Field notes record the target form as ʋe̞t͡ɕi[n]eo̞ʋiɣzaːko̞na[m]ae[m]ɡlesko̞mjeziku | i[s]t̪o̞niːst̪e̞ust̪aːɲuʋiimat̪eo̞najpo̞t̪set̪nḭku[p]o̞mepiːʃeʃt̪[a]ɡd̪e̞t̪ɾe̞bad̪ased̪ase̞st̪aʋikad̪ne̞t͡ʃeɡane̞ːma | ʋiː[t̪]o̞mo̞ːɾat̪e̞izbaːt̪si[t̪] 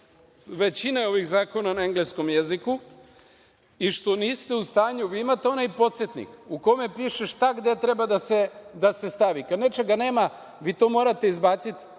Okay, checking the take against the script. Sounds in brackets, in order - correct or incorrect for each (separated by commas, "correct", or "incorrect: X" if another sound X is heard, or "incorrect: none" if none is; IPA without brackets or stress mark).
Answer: correct, incorrect: n, incorrect: ŋ, incorrect: ʃ, incorrect: k, correct, correct, correct